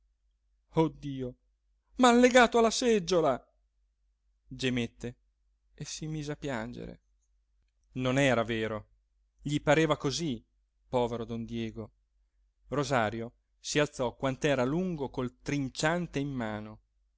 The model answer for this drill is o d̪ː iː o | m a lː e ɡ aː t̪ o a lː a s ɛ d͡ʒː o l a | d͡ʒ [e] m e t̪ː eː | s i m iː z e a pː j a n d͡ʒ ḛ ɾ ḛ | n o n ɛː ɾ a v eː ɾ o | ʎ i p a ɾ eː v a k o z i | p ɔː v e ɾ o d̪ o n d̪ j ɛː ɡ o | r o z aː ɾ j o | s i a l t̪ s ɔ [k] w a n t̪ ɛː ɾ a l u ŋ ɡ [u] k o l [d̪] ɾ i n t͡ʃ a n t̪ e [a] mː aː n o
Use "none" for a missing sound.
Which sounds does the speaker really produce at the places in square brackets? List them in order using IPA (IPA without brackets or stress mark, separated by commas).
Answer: e, k, o, t̪, i